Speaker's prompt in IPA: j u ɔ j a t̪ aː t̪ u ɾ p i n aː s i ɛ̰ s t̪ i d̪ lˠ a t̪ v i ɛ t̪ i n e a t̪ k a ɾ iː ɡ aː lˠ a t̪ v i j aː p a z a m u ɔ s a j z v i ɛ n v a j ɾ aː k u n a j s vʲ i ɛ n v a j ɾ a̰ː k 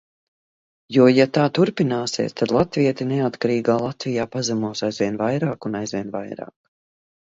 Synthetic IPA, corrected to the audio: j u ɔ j a t̪ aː t̪ u ɾ p i n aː s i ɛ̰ s t̪ a d̪ lˠ a t̪ v i ɛ t̪ i n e a t̪ k a ɾ iː ɡ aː lˠ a t̪ v i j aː p a z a m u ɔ s a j z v i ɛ n v a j ɾ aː k u n a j z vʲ i ɛ n v a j ɾ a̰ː k